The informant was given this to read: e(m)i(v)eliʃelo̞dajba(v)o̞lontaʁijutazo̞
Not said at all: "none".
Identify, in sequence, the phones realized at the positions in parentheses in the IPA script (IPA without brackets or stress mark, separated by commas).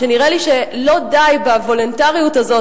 n, ʁ, v